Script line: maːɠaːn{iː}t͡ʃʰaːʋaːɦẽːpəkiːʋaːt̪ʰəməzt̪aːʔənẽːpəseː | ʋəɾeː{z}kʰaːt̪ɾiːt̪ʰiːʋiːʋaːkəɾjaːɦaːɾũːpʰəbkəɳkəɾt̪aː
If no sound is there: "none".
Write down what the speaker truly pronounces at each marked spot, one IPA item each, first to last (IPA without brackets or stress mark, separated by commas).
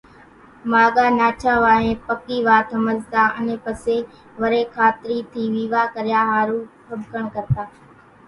aː, none